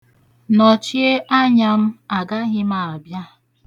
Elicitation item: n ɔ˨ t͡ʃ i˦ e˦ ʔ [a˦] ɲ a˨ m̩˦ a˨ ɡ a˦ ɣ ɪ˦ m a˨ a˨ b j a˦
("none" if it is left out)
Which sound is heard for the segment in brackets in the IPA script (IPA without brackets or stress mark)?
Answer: a˦